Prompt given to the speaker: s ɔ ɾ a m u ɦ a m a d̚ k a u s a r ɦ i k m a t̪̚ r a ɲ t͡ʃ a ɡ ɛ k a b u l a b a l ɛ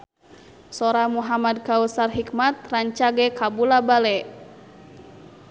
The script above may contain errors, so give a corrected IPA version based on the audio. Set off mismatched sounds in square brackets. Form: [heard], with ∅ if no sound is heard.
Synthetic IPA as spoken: s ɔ ɾ a m u ɦ a m a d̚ k a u s a r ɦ i k m a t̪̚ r a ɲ t͡ʃ a ɡ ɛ k a b u l a b a l ɛ